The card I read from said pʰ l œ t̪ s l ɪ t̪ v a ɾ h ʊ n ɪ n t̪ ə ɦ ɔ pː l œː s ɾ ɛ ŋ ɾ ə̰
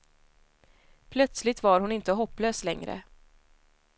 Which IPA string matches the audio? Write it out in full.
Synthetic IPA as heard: pʰ l œ t̪ s l ɪ t̪ v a ɾ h ʊ n ɪ n t̪ ə ɦ ɔ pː l øː s l ɛ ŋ ɾ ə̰